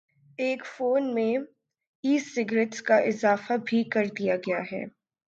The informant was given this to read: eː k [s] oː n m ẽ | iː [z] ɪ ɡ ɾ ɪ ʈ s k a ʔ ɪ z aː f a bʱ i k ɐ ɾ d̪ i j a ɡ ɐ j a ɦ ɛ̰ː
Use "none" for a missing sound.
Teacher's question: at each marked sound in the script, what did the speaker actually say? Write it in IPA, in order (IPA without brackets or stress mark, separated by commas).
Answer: f, s